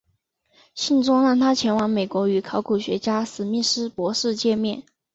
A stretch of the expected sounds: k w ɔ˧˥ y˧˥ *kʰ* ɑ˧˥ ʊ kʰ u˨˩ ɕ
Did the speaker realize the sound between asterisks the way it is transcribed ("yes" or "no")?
yes